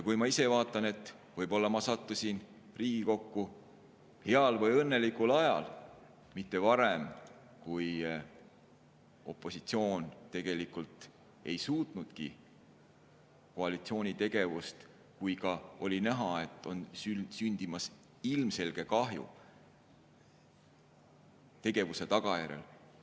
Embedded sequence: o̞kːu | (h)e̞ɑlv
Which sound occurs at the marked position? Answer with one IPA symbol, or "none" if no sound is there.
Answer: h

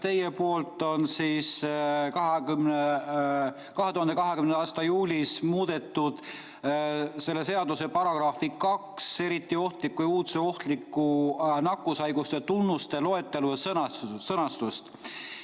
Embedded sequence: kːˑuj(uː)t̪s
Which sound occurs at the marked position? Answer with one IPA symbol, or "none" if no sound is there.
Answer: uː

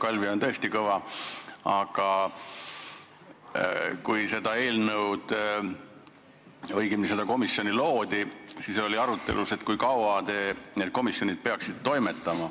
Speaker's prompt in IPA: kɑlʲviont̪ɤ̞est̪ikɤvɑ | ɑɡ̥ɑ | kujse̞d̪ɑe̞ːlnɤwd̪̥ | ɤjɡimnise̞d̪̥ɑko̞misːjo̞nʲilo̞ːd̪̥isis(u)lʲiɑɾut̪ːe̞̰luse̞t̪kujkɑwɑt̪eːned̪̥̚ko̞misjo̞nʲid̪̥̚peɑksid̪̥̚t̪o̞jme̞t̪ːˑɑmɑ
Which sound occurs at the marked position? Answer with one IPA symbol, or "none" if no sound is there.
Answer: o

